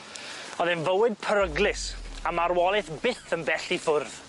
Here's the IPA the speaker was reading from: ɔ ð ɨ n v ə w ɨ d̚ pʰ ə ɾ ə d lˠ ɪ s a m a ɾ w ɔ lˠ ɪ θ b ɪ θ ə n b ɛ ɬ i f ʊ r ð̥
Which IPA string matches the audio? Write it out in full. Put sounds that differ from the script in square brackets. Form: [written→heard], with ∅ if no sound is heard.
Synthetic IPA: ɔ ð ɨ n v ə w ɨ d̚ pʰ ə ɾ ə [d→ɡ] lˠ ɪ s a m a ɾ w ɔ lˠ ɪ θ b ɪ θ ə n b ɛ ɬ i f ʊ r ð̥